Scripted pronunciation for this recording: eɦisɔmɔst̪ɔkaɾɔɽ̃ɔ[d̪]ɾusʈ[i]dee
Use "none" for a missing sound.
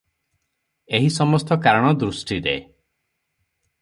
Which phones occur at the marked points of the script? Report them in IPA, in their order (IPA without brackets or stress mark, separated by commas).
d̪, i